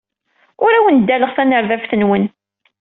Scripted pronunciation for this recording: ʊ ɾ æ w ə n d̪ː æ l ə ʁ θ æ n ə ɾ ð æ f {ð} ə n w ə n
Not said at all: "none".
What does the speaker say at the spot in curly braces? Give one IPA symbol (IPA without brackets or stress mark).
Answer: θ